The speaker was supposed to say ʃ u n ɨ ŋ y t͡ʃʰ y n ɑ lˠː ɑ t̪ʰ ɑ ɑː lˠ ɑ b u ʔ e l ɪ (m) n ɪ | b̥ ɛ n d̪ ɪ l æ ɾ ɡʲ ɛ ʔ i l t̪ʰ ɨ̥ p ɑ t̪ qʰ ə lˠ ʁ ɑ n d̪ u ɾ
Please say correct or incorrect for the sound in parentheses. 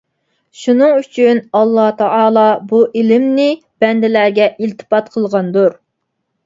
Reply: correct